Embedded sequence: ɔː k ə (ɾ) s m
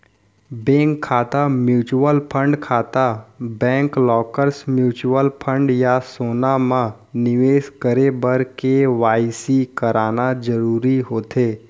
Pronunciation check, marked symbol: correct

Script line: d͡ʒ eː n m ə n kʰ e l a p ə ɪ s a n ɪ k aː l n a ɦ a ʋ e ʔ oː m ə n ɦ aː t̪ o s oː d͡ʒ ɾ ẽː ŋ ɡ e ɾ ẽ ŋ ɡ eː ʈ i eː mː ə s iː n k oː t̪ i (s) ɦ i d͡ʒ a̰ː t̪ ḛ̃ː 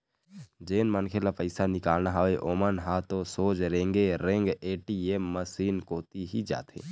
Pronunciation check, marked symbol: incorrect: none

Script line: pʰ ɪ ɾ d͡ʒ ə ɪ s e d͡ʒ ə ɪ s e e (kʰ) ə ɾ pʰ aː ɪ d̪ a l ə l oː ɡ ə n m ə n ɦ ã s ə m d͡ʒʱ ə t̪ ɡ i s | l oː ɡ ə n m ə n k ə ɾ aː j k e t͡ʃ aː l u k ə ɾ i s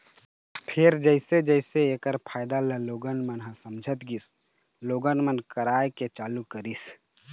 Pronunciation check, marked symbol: incorrect: k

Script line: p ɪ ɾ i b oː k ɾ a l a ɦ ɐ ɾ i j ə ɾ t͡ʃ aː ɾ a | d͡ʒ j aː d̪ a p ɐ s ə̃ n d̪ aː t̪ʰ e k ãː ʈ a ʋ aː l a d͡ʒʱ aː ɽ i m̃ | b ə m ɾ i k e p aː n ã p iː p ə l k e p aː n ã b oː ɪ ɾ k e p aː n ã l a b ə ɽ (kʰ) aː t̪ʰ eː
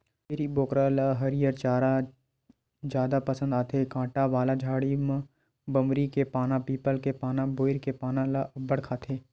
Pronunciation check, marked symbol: correct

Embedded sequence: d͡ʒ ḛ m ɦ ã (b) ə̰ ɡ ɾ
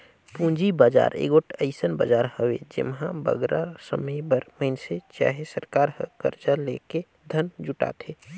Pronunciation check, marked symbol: correct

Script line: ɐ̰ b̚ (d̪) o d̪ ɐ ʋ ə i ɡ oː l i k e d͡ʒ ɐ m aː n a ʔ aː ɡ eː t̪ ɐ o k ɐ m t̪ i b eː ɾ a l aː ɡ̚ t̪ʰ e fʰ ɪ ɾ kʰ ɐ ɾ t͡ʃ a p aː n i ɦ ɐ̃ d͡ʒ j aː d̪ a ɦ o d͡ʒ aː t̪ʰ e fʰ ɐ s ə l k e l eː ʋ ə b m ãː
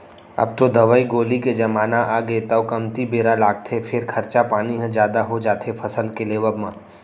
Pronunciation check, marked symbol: incorrect: t̪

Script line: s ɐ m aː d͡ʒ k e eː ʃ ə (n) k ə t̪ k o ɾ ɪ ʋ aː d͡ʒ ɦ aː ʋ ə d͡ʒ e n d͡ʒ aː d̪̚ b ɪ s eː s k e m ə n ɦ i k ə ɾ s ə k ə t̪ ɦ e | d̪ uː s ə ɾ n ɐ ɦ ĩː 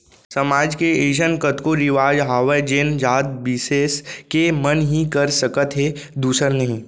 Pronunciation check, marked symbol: correct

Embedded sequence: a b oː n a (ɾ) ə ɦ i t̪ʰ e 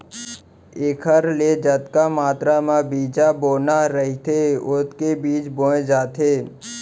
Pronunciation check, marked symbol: correct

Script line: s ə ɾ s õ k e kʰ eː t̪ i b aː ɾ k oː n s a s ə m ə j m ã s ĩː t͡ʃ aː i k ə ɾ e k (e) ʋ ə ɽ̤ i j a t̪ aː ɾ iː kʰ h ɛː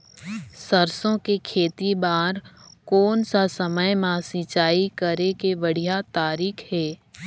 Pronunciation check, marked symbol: correct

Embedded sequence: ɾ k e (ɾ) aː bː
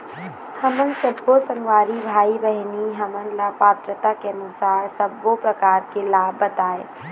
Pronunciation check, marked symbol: incorrect: l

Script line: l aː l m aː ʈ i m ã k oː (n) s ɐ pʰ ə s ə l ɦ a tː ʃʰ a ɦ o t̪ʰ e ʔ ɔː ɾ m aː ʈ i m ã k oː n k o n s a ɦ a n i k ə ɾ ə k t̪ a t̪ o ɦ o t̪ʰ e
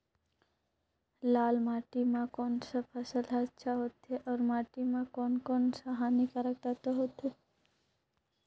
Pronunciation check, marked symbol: correct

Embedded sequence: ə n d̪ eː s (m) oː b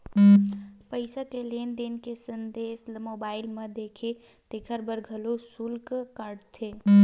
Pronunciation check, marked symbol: correct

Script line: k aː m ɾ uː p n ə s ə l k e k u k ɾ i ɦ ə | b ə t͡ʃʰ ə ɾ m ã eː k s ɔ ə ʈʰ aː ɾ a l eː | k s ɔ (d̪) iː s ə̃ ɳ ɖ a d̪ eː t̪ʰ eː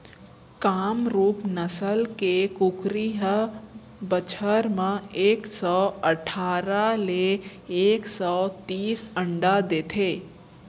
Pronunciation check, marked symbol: incorrect: t̪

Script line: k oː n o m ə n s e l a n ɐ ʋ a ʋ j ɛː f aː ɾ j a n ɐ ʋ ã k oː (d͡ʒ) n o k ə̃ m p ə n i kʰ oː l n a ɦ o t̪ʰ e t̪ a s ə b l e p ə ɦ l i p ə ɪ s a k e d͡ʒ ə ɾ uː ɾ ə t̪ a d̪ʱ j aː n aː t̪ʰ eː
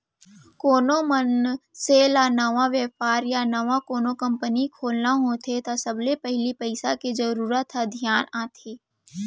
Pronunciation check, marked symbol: incorrect: none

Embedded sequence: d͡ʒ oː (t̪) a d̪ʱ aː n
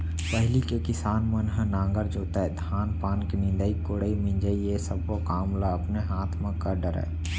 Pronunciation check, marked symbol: correct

